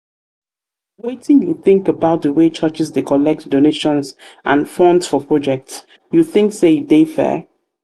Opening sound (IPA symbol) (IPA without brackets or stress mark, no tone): w